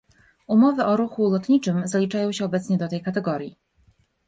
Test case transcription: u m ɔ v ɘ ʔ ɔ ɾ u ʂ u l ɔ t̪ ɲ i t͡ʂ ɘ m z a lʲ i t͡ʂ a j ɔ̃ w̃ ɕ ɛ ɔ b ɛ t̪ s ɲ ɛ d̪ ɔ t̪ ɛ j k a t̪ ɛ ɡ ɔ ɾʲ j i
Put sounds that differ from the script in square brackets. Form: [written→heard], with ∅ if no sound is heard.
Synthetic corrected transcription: u m ɔ v ɘ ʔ ɔ ɾ u [ʂ→x] u l ɔ t̪ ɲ i t͡ʂ ɘ m z a lʲ i t͡ʂ a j ɔ̃ w̃ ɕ ɛ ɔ b ɛ t̪ s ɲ ɛ d̪ ɔ t̪ ɛ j k a t̪ ɛ ɡ ɔ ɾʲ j i